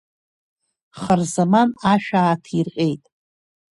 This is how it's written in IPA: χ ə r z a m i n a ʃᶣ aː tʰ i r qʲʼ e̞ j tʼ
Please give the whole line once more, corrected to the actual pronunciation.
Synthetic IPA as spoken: χ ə r z a m a n a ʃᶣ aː tʰ i r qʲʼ e̞ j tʼ